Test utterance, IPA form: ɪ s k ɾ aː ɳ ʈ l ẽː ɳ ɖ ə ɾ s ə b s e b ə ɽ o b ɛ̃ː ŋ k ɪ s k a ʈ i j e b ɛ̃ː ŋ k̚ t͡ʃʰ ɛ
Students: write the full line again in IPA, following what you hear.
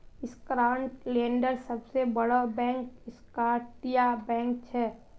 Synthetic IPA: ɪ s k ɾ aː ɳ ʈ l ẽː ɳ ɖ ə ɾ s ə b s e b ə ɽ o b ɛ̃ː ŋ k ɪ s k a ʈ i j a b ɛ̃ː ŋ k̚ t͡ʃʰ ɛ